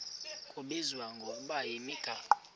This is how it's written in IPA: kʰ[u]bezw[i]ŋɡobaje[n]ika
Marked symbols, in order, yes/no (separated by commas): no, no, no